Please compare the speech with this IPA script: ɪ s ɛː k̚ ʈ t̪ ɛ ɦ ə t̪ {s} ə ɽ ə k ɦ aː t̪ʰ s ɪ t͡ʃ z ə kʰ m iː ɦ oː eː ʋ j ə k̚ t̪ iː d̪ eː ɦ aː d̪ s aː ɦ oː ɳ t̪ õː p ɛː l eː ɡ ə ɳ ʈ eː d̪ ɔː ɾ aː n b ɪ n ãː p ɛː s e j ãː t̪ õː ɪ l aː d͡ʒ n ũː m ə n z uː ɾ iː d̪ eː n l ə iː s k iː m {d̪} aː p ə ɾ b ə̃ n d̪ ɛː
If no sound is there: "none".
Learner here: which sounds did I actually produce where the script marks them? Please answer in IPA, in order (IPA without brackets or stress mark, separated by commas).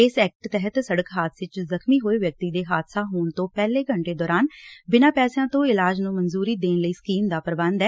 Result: s, d̪